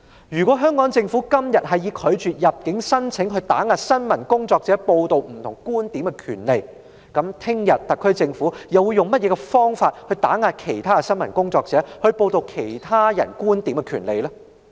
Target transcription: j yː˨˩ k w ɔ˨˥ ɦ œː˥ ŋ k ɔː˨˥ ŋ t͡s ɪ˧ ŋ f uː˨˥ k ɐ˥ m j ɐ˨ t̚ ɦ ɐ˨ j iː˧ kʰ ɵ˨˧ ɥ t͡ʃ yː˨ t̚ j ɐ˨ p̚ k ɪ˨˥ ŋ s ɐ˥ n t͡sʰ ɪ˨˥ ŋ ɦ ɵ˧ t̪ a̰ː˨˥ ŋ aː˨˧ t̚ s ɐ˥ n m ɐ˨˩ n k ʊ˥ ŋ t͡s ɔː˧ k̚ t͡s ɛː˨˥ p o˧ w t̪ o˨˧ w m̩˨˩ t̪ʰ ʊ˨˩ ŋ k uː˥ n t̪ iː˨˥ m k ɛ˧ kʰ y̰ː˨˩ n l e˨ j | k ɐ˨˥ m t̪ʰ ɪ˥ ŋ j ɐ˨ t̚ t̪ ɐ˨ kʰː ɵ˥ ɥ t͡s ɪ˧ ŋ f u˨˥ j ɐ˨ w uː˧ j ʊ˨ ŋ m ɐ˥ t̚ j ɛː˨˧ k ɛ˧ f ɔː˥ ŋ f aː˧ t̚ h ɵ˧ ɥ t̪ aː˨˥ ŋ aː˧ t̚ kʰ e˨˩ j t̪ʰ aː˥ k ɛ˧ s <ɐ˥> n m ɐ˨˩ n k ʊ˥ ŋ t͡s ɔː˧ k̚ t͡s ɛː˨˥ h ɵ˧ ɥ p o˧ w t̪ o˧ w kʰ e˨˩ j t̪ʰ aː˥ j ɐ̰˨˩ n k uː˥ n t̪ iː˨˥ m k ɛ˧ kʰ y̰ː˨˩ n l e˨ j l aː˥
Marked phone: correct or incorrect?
correct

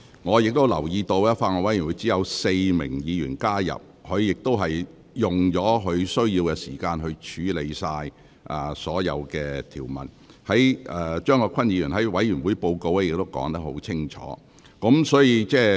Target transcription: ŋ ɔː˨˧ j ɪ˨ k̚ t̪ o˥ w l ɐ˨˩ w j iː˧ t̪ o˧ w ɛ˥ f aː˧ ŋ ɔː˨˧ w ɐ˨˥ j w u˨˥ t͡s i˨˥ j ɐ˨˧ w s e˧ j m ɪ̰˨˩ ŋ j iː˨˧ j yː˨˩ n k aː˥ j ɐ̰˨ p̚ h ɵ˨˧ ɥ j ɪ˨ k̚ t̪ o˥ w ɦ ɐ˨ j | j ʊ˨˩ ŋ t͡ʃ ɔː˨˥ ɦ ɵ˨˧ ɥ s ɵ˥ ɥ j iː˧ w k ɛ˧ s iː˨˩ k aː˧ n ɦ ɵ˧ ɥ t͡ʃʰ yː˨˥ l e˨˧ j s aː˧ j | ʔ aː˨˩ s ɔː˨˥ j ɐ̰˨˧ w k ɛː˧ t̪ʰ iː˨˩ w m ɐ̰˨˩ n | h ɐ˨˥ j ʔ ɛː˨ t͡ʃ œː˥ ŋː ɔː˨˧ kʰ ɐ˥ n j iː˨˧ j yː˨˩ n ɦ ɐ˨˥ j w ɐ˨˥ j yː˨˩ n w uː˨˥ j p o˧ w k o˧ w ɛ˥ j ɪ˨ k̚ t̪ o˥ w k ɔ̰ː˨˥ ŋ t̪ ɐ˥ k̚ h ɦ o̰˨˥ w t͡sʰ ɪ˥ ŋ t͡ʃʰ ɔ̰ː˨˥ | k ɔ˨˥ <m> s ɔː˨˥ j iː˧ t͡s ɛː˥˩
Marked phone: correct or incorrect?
correct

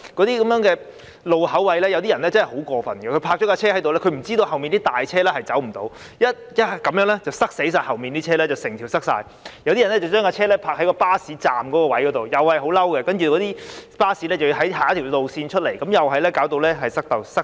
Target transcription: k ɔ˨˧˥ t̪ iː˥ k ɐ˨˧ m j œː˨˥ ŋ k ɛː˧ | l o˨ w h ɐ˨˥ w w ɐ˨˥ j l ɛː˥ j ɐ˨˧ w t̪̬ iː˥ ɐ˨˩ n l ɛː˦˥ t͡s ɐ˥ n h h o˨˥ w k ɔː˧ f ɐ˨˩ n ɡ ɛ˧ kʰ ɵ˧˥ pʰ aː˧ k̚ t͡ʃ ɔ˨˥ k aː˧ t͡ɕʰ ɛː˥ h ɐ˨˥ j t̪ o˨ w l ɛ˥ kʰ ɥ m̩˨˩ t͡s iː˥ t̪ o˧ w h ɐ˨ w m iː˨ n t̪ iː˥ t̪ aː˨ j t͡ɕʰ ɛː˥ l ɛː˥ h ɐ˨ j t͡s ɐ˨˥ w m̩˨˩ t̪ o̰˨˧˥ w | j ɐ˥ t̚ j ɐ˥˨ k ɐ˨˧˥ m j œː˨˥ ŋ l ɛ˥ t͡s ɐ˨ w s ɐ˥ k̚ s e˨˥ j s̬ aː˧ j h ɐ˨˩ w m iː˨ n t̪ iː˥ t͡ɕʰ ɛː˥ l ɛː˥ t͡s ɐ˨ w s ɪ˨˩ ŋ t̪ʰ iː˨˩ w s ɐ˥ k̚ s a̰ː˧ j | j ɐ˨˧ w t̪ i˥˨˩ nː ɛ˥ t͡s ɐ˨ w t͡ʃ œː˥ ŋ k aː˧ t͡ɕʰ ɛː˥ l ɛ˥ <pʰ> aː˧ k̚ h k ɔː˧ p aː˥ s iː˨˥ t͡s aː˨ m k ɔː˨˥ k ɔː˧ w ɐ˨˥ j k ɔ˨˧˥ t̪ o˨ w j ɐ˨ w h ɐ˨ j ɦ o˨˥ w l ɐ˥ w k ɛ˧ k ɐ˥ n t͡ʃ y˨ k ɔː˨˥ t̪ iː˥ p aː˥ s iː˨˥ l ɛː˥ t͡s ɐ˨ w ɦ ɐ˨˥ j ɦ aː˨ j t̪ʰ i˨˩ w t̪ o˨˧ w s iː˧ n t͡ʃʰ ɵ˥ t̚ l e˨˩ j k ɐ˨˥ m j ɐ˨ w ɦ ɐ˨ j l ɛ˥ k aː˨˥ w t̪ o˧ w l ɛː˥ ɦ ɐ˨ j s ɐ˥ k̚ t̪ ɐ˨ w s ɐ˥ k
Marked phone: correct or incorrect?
correct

